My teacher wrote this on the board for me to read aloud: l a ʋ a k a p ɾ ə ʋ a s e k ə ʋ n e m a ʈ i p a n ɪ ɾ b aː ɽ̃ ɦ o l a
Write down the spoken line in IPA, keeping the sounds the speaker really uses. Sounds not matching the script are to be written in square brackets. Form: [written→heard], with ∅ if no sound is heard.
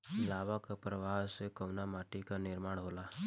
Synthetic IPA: l a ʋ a k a p ɾ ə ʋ a s e k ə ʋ n [e→a] m a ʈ i [p→k] a n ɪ ɾ [b→m] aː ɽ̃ ɦ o l a